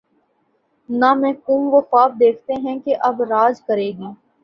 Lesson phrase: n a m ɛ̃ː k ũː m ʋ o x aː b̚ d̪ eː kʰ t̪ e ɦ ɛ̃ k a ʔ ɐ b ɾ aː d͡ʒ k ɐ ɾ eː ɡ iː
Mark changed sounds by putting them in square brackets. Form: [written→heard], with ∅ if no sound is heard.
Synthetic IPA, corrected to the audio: n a m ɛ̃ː k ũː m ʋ o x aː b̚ d̪ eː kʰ t̪ e ɦ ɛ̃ k [a→e] ʔ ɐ b ɾ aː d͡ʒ k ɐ ɾ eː ɡ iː